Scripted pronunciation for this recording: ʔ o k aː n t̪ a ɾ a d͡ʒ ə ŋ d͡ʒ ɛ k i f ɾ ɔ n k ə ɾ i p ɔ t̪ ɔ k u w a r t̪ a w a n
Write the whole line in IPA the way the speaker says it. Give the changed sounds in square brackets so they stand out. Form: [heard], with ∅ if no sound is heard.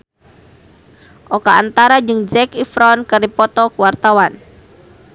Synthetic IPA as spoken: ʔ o k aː n t̪ a ɾ a d͡ʒ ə ŋ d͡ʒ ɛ k i f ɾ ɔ n k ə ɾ i p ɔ t̪ ɔ k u w a r t̪ a w a n